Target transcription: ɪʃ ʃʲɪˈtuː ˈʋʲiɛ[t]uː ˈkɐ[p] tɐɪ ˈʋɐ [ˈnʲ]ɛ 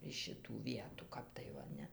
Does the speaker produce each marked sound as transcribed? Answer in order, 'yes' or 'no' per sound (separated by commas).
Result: yes, yes, yes